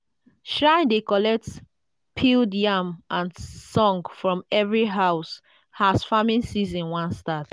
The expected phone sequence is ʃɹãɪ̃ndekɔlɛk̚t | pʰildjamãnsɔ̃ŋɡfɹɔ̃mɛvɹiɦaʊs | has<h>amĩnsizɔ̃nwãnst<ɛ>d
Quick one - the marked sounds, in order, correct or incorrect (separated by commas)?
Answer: incorrect, incorrect